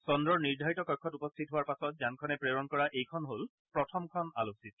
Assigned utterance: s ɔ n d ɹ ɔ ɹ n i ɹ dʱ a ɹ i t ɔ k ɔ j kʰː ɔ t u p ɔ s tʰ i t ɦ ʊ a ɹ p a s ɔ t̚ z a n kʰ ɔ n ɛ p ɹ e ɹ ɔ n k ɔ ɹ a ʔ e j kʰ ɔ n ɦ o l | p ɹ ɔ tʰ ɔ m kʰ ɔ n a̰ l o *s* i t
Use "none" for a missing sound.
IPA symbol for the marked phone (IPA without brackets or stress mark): s